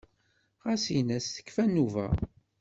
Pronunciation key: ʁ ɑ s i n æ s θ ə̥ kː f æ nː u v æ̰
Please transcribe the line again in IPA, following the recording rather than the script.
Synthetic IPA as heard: ʁ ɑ s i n æ s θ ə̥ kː f æ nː u v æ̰